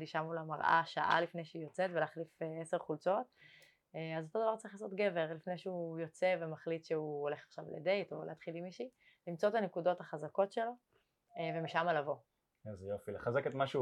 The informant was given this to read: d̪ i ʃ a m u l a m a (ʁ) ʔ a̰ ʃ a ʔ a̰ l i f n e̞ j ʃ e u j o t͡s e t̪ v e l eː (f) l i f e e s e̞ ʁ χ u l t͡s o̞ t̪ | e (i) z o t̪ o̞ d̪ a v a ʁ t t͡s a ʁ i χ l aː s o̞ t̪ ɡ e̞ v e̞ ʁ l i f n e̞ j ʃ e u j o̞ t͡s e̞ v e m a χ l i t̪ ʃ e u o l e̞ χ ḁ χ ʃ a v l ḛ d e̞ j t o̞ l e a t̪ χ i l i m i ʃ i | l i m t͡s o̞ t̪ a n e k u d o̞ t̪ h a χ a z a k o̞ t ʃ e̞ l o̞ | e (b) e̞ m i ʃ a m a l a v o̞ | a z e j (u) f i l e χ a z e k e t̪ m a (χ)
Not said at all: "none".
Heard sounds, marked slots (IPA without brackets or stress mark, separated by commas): ʁ, χ, a, v, o, ʃ